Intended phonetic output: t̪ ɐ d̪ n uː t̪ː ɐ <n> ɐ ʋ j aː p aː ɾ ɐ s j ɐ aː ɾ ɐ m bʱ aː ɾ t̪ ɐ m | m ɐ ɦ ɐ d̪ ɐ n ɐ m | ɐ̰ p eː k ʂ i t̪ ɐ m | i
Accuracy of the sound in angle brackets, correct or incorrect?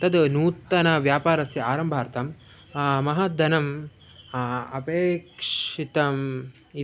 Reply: correct